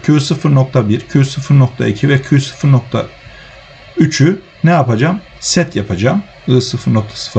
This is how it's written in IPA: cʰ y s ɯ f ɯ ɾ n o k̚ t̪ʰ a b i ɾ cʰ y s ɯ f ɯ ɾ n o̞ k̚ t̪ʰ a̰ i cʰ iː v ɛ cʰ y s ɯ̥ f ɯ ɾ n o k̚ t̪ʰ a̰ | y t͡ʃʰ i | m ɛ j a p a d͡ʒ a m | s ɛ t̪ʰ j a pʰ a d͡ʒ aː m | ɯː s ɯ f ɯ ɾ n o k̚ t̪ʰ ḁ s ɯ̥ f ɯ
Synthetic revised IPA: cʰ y s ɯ f ɯ ɾ n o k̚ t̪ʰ a b i ɾ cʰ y s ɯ f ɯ ɾ n o̞ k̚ t̪ʰ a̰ i cʰ i v ɛ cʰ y s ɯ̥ f ɯ ɾ n o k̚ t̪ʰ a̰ | y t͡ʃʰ y | n ɛ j a p a d͡ʒ a m | s ɛ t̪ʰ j a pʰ a d͡ʒ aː m | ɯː s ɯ f ɯ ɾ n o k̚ t̪ʰ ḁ s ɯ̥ f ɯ

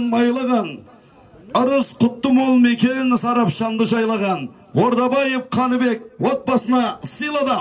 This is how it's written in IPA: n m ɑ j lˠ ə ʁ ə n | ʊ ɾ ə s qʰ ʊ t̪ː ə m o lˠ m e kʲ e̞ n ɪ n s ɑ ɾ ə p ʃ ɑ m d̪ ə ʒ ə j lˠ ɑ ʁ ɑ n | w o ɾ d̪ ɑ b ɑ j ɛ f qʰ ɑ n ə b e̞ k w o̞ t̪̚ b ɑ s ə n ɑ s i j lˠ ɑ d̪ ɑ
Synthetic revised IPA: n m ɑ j lˠ ə ʁ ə n | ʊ ɾ ə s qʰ ʊ t̪ː ə m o lˠ m e kʲ e̞ n ɪ n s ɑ ɾ ɑ p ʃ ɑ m d̪ ə ʒ ɑ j lˠ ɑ ʁ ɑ n | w o ɾ d̪ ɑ b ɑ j e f qʰ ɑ n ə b e̞ k w o̞ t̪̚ b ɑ s ə n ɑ s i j lˠ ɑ d̪ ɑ

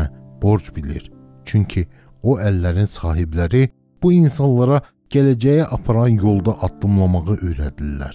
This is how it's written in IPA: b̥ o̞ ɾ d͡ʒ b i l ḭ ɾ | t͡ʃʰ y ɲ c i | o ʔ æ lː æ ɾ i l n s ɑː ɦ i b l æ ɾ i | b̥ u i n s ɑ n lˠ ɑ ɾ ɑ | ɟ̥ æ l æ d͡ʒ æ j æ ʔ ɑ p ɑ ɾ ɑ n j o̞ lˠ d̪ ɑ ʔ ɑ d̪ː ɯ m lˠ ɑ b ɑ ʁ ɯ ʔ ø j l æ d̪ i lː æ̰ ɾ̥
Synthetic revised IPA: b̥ o̞ ɾ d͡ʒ b i l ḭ ɾ | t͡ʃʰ y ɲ cʰ i | o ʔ æ lː æ ɾ i n s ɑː ɦ i b l æ ɾ i | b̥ u i n s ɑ n lˠ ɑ ɾ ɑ | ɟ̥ æ l æ d͡ʒ æ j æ ʔ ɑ pʰ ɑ ɾ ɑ n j o̞ lˠ d̪ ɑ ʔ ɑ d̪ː ɯ m lˠ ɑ m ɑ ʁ ɯ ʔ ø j ɾ æ d̪ i lː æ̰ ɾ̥

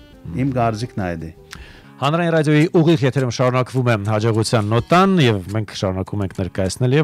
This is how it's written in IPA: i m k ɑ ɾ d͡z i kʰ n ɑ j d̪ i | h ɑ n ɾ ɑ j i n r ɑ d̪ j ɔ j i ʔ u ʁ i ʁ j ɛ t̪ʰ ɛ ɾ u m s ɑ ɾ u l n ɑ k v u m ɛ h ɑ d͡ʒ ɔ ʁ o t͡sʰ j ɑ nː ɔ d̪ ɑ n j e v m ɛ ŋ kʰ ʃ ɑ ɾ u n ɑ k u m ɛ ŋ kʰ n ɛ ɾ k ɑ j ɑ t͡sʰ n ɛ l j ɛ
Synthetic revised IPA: i m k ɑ ɾ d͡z i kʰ n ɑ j d̪ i | h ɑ n ɾ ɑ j i n r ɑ d̪ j ɔ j i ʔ u ʁ i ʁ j ɛ t̪ʰ ɛ ɾ u m ʃ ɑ ɾ u n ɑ k v u m ɛ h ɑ d͡ʒ ɔ ʁ u t͡sʰ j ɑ nː ɔ t̪ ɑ n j ɛ v m ɛ ŋ kʰ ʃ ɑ ɾ u n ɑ k u m ɛ ŋ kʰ n ɛ ɾ k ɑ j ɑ t͡sʰ n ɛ l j ɛ

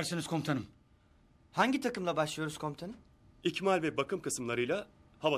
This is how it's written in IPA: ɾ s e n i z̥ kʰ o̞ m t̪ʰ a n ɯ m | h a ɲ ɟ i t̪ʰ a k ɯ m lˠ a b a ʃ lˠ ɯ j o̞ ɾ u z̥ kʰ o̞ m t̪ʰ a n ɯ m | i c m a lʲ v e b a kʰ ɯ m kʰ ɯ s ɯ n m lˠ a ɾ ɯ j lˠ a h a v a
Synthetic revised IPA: ɾ s i n i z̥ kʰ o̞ m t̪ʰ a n ɯ m | h a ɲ ɟ i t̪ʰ a k ɯ m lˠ a b a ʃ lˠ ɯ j o̞ ɾ u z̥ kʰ o̞ m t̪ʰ a n ɯ m | i c m a lʲ v ɛ b a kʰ ɯ m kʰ ɯ s ɯ m lˠ a ɾ ɯ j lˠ a h a v a

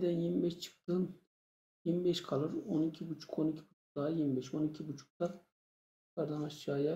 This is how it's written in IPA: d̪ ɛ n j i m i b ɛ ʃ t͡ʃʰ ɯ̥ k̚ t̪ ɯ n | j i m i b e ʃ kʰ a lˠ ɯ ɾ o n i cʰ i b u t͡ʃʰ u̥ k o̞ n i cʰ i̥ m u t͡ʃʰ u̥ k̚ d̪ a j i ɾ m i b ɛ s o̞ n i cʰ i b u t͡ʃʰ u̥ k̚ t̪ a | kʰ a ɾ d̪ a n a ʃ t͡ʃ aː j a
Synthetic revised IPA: d̪ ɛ n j i m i b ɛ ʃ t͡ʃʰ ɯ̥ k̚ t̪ ɯ n | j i m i b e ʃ kʰ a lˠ ɯ ɾ o n i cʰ i b u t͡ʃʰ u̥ k o̞ n i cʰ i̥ b u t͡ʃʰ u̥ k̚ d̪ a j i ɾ m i b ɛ ʃ o̞ n i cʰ i b u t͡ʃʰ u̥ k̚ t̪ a | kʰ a ɾ d̪ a n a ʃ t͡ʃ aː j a

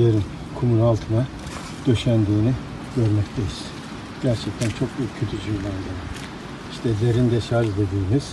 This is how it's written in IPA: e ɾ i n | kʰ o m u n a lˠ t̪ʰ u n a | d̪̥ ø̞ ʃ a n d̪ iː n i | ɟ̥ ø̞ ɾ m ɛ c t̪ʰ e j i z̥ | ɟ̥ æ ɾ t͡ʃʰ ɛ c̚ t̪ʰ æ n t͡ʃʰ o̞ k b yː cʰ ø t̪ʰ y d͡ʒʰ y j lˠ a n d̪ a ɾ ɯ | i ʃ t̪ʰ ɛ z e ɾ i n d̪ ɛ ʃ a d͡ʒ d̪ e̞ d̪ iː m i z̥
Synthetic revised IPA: e ɾ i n | kʰ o m u n a lˠ t̪ʰ ɯ n a | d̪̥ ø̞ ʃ æ n d̪ iː n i | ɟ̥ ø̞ ɾ m ɛ c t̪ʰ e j i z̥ | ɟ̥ æ ɾ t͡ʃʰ ɛ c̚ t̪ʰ æ n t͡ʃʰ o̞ k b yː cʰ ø t̪ʰ y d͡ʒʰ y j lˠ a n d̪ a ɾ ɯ | i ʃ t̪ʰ ɛ z e ɾ i n d̪ ɛ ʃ a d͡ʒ d̪ e̞ d̪ iː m i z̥

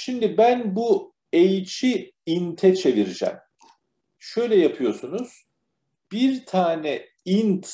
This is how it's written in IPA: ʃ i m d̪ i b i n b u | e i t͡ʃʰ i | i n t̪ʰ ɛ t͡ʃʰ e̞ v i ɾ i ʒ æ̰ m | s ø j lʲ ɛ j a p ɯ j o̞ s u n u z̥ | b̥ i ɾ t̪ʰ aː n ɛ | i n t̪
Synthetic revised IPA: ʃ i m d̪ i b æ n b u | e j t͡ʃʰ i | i n t̪ʰ ɛ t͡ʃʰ e̞ v i ɾ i d͡ʒ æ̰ m | ʃ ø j lʲ ɛ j a pʰ ɯ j o̞ s u n u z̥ | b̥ i ɾ t̪ʰ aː n ɛ | i n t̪

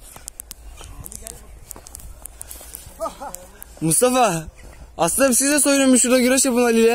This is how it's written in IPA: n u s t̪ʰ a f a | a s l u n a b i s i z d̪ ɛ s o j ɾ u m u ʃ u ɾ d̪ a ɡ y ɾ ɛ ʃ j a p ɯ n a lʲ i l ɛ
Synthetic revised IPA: m u s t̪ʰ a f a | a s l ɯ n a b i s i z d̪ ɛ s o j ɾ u m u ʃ u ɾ d̪ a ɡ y ɾ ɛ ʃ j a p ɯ n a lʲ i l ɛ

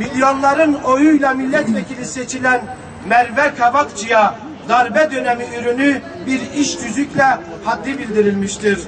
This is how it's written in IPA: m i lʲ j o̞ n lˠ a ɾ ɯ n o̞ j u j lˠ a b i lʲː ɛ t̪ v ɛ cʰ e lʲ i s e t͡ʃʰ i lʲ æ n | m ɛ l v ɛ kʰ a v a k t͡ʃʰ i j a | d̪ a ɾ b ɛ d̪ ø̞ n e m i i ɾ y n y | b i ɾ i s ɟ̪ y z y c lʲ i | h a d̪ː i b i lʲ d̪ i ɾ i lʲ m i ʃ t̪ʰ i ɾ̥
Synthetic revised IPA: m i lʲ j o̞ n lˠ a ɾ ɯ n o̞ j u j lˠ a m i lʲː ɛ t̪ v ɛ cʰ i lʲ i s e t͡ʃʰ i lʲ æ n | m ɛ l v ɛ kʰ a v a k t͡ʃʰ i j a | d̪ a ɾ b ɛ d̪ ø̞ n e m i y ɾ y n y | b i ɾ i ʃ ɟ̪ y z y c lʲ ɛ | h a d̪ː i b i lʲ d̪ i ɾ i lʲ m i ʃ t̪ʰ i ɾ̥

